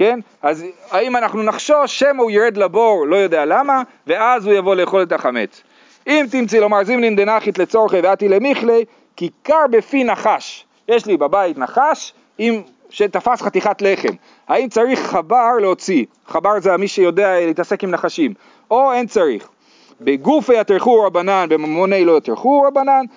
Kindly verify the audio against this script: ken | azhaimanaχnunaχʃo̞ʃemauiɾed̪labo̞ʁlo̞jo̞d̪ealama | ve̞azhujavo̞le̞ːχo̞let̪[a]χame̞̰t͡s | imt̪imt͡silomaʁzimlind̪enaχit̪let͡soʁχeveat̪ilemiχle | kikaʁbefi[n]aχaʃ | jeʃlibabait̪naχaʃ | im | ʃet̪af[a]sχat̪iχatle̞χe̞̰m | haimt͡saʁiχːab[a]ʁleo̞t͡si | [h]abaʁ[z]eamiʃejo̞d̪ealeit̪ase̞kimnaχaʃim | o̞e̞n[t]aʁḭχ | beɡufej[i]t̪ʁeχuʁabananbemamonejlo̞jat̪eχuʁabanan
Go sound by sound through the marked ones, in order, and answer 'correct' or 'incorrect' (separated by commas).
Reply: correct, correct, correct, correct, incorrect, correct, incorrect, incorrect